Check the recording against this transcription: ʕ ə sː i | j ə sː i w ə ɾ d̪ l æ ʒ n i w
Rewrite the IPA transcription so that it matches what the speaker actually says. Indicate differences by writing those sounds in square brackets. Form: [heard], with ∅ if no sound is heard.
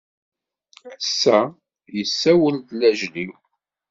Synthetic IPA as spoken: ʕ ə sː [æ] | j ə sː [æ] w ə [l] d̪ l æ ʒ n i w

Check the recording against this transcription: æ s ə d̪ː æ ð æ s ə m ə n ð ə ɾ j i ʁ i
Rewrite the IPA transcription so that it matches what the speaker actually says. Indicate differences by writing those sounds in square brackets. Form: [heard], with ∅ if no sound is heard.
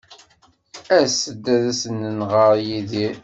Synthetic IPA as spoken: æ s ə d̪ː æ ð æ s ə [n] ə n [ʁ] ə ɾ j i [ð] i

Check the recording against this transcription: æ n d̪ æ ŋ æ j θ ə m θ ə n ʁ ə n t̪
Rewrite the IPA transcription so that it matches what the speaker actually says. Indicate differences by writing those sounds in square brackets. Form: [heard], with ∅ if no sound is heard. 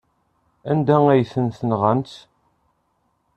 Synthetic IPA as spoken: æ n d̪ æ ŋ æ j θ ə [n] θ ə n ʁ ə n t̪

